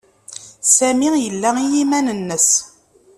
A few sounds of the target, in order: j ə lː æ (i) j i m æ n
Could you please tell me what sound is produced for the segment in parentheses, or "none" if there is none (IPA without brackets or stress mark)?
i